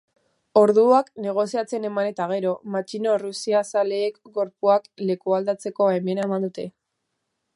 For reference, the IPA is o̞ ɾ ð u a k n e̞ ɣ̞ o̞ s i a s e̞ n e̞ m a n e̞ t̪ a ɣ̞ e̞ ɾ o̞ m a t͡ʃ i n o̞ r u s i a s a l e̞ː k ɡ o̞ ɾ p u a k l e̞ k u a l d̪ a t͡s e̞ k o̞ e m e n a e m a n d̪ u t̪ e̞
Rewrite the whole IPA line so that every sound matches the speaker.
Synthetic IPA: o̞ ɾ ð u a k n e̞ ɣ̞ o̞ s i a t͡s e̞ n e̞ m a n e̞ t̪ a ɣ̞ e̞ ɾ o̞ m a t͡ʃ i n o̞ r u s i a s a l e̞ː k ɡ o̞ ɾ p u a k l e̞ k u a l d̪ a t͡s e̞ k o̞ e m e n a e m a n d̪ u t̪ e̞